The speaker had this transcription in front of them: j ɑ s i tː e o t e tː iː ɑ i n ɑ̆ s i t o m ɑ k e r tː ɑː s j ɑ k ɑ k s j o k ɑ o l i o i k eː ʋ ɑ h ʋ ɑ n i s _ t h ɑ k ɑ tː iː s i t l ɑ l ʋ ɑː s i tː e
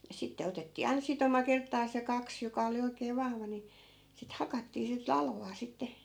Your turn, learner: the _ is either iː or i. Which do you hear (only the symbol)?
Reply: i